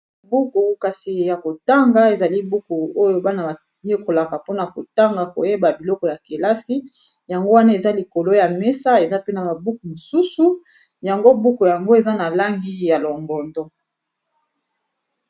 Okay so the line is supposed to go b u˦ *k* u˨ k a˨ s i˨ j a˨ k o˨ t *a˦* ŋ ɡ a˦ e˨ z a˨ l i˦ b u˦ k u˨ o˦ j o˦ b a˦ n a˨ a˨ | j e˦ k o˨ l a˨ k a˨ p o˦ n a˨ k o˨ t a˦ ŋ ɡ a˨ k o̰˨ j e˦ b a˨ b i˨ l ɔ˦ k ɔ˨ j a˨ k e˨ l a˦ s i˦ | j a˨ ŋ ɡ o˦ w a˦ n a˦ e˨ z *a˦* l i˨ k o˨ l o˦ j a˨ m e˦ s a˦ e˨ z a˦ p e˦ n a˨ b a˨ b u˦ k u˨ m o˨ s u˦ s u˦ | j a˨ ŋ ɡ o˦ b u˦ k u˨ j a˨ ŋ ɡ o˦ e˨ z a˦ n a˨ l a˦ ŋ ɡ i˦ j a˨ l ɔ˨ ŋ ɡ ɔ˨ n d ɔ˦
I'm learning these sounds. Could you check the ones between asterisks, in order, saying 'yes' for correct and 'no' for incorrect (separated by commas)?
yes, yes, yes